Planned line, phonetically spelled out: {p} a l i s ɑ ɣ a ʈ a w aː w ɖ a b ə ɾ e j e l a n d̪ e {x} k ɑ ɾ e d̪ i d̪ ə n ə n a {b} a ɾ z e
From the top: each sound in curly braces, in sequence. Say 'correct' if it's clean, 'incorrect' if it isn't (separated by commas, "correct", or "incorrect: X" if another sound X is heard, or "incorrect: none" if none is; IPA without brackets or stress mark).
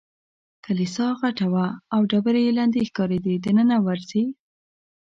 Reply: incorrect: k, correct, incorrect: w